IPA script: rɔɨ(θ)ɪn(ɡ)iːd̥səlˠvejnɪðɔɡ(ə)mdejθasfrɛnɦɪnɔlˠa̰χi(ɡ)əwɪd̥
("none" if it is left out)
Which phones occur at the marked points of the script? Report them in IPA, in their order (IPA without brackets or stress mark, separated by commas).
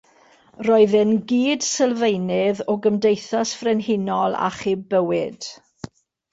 ð, ɡ, ə, b